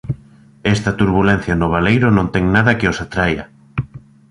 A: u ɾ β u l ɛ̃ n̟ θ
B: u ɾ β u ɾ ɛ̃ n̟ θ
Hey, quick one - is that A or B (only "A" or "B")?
A